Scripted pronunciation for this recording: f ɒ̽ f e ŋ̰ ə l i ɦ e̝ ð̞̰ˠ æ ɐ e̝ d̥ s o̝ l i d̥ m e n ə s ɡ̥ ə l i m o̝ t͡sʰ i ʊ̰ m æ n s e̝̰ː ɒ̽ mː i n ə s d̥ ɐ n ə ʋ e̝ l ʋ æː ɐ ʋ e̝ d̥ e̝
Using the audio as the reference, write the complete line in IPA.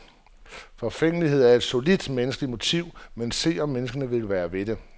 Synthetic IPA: f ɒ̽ f e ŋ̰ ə l i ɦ e̝ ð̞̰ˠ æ ɐ e̝ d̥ s o̝ l i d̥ m e n ə s ɡ̥ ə l i m o̝ t͡sʰ i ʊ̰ m e n s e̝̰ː ɒ̽ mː e n ə s ɡ̥ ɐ n ə ʋ e̝ l ʋ æː ɐ ʋ e̝ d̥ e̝

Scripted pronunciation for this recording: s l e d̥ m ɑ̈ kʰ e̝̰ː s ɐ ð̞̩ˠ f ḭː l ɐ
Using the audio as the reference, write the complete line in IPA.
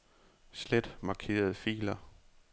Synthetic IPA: s l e d̥ m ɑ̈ kʰ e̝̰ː ɐ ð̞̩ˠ f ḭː l ɐ

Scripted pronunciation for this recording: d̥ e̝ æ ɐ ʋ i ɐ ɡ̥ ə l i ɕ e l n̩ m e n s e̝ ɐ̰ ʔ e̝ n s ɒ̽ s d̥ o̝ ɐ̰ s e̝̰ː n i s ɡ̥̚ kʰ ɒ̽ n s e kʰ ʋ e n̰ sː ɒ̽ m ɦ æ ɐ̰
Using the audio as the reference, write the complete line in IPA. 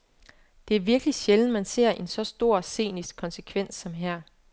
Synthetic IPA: d̥ e̝ æ ɐ ʋ i ɐ ɡ̥ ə l i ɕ e l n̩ m æ n s e̝ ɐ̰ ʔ e̝ n s ɒ̽ s d̥ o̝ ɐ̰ s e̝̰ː n i s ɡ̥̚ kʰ ɒ̽ n s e kʰ ʋ e n̰ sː ɒ̽ m ɦ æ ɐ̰

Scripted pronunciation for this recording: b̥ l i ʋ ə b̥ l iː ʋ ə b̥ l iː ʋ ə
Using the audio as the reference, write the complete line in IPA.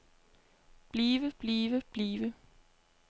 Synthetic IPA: b̥ l iː ʋ ə b̥ l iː ʋ ə b̥ l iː ʋ ə

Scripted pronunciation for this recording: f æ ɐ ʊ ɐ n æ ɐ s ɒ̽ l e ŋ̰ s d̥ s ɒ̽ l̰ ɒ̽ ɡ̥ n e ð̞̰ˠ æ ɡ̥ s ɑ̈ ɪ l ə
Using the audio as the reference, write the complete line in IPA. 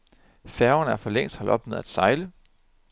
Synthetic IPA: f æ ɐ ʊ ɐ n æ ɐ f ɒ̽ l e ŋ̰ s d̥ h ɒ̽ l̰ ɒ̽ b̥ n e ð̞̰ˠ æ d̥ s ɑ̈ ɪ l ə

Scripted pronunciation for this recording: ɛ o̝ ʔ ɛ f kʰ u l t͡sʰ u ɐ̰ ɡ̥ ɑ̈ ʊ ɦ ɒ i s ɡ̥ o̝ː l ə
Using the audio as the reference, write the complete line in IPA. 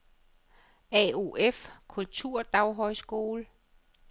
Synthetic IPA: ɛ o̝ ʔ e f kʰ u l t͡sʰ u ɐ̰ d̥ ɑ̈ ʊ ɦ ɒ ɪ s ɡ̥ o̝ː l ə

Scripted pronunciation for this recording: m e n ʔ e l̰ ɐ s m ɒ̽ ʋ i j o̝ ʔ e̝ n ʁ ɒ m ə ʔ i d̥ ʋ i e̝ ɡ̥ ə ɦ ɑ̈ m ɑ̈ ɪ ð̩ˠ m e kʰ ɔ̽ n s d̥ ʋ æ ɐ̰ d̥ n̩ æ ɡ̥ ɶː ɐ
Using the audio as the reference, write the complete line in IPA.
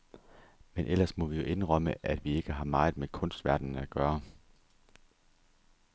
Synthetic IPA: m e n ʔ e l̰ ɐ s m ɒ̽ ʋ i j o̝ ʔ e̝ n ʁ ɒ m ə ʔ æ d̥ ʋ i e̝ ɡ̥ ə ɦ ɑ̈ m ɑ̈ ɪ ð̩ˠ m e kʰ ɔ̽ n s d̥ ʋ æ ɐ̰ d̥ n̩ æ ɡ̥ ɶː ɐ

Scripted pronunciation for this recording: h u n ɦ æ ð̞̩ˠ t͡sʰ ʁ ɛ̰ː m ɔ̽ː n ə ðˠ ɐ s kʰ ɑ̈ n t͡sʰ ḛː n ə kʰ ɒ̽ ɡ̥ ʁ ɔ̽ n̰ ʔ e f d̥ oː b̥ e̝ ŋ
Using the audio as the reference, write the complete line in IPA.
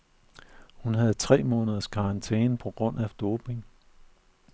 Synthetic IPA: h u n ɦ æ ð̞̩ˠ t͡sʰ ʁ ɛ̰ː m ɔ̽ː n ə ðˠ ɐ s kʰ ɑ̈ n t͡sʰ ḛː n ə pʰ ɒ̽ ɡ̥ ʁ ɔ̽ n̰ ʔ æ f d̥ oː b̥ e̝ ŋ

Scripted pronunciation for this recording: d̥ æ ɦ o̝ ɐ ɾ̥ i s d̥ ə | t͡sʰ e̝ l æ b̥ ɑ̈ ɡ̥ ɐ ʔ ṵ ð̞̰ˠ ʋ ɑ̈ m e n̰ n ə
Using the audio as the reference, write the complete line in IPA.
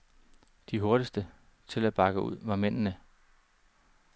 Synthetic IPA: d̥ i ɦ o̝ ɐ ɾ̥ i s d̥ ə | t͡sʰ e̝ l æ b̥ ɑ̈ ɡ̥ ə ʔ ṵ ð̞̰ˠ ʋ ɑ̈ m e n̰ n ə

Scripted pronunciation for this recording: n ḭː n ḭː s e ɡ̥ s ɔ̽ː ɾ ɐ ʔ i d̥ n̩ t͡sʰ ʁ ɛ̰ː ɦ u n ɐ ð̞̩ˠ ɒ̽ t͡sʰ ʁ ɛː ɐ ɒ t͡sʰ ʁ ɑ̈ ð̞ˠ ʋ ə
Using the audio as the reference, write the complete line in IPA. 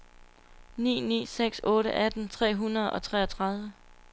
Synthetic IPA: n ḭː n ḭː s e ɡ̥ s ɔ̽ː ɾ ə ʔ æ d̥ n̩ t͡sʰ ʁ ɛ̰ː ɦ u n ɐ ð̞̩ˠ ɒ̽ t͡sʰ ʁ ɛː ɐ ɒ t͡sʰ ʁ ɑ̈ ð̞ˠ ʋ ə

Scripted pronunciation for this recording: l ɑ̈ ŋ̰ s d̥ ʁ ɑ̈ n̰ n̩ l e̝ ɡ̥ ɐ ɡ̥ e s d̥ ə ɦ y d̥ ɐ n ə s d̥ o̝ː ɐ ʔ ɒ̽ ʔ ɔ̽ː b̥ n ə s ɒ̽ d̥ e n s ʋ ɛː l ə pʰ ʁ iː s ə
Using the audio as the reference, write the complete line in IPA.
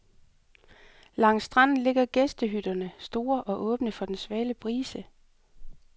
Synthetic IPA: l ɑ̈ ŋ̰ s d̥ ʁ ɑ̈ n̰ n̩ l e̝ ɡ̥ ɐ ɡ̥ e s d̥ ə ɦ y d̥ ɐ n ə s d̥ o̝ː ɐ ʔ ɒ̽ ʔ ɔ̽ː b̥ n ə f ɒ̽ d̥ e n s ʋ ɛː l ə pʰ ʁ iː s ə

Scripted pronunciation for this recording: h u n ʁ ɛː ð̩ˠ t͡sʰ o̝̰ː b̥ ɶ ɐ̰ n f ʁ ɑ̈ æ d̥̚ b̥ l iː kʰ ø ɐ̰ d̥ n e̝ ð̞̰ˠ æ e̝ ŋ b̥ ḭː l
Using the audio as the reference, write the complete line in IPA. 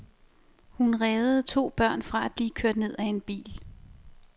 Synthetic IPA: h u n ʁ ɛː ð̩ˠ t͡sʰ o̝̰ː b̥ ɶ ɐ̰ n f ʁ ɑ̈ æ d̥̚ b̥ l iː kʰ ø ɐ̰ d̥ n e̝ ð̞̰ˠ æ e̝ n b̥ ḭː l

